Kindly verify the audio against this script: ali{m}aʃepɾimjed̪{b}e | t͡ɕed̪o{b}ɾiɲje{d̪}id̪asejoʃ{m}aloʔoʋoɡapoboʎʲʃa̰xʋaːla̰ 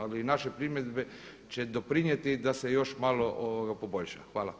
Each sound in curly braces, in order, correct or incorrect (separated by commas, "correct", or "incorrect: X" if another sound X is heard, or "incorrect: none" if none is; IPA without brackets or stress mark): incorrect: n, correct, incorrect: p, incorrect: t̪, correct